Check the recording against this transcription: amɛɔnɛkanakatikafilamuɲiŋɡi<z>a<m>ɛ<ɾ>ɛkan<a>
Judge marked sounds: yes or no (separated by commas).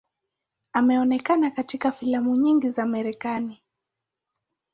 yes, yes, yes, no